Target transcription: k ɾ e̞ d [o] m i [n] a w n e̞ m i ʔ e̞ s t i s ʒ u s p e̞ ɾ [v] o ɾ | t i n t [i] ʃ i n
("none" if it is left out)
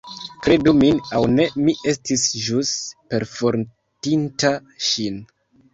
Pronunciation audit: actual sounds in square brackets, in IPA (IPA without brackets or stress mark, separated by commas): u, n, f, a